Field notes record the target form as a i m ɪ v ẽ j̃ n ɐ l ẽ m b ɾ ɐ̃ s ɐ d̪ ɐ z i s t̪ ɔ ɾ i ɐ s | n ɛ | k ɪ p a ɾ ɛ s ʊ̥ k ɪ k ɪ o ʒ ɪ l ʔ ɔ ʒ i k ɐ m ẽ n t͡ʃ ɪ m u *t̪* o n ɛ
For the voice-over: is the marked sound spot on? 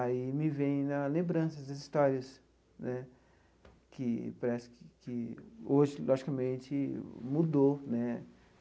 no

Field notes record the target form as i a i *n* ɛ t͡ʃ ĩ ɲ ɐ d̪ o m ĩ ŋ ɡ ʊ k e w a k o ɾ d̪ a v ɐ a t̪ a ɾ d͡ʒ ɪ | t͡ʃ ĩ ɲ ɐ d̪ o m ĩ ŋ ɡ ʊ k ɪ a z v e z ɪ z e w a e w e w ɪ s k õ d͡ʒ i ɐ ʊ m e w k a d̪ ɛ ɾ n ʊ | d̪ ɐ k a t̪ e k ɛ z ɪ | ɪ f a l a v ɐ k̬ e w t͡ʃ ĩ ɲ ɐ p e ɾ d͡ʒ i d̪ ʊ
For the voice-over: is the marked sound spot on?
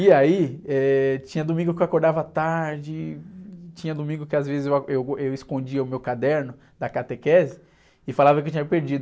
no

